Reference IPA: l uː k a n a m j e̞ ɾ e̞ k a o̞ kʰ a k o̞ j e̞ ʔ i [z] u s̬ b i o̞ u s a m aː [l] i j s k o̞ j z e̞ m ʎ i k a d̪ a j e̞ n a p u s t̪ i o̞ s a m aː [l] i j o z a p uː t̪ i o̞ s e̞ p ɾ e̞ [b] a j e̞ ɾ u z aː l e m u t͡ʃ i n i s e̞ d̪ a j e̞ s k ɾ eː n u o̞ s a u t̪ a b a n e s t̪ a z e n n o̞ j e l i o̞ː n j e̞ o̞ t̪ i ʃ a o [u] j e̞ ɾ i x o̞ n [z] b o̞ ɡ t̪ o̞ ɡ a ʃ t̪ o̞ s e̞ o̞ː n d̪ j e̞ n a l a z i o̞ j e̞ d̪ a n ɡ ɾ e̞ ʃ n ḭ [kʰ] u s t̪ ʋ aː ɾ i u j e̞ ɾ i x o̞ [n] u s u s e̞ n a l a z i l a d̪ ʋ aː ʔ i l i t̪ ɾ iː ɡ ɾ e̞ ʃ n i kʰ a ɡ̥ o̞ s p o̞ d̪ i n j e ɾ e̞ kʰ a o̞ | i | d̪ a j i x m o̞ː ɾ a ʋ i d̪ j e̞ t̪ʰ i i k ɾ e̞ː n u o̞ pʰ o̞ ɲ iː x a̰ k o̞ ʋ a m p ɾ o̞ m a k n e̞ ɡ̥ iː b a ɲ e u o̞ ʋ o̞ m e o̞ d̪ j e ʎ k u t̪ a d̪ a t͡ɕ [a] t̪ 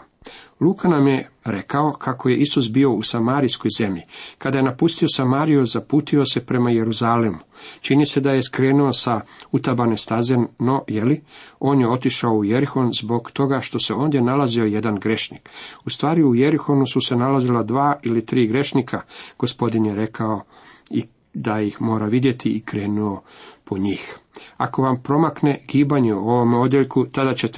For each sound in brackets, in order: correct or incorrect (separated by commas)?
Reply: incorrect, incorrect, incorrect, incorrect, correct, correct, incorrect, correct, incorrect